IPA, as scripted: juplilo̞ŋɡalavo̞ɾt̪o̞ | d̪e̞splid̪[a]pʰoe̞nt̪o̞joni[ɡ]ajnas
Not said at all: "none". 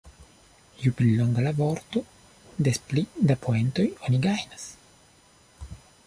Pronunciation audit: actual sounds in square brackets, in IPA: a, ɡ

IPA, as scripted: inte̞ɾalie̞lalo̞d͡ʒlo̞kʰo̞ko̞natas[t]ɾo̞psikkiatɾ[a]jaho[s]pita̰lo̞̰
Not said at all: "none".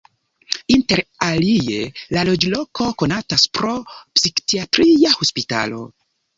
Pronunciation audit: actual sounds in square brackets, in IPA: p, i, s

